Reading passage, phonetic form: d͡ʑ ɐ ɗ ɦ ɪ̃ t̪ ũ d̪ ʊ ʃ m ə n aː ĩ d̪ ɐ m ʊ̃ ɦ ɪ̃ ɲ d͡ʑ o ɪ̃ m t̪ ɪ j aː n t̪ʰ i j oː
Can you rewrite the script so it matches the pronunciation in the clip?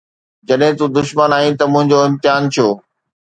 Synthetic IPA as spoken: d͡ʑ ɐ ɗ ɦ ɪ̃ t̪ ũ d̪ ʊ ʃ m ə n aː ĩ t̪ ɐ m ʊ̃ ɦ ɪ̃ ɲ d͡ʑ o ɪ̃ m t̪ ɪ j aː n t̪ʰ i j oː